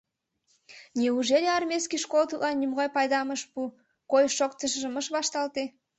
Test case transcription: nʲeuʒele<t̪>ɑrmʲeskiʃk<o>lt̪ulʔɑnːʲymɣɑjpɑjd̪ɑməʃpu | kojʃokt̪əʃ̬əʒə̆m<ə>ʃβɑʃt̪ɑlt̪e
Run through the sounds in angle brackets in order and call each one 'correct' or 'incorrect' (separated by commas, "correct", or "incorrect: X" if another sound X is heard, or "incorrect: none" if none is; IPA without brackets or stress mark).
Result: incorrect: none, correct, correct